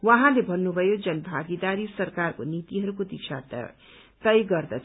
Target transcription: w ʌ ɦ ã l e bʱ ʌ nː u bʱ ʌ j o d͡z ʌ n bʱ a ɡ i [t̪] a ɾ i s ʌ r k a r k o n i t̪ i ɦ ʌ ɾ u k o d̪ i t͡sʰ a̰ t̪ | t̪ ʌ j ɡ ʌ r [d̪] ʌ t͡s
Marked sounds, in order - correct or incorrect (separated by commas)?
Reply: incorrect, correct